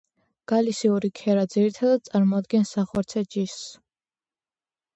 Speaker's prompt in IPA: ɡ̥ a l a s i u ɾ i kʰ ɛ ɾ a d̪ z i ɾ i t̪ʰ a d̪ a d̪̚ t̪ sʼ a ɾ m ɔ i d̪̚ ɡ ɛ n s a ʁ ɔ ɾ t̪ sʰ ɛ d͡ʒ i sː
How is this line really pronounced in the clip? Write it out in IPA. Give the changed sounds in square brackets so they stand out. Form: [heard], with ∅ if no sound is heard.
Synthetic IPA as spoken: ɡ̥ a l [i] s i u ɾ i kʰ ɛ ɾ a d̪ z i ɾ i t̪ʰ a d̪ a d̪̚ t̪ sʼ a ɾ m ɔ [a] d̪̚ ɡ ɛ n s a [χ] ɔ ɾ t̪ sʰ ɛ d͡ʒ i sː